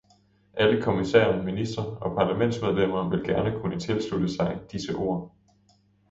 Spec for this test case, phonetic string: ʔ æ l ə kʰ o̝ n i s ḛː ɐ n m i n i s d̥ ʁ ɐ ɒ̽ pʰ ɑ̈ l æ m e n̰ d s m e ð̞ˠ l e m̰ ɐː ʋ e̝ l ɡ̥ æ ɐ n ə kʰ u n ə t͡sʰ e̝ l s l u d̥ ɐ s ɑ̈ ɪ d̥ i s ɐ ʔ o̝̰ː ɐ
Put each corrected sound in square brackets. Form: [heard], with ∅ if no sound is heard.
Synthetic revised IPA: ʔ æ l ə kʰ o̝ [m] i s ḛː ɐ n m i n i s d̥ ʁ ɐ ɒ̽ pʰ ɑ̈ l æ m e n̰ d s m e ð̞ˠ l e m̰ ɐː ʋ e̝ l ɡ̥ æ ɐ n ə kʰ u n ə t͡sʰ e̝ l s l u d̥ [ə] s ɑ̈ ɪ d̥ i s [ə] ʔ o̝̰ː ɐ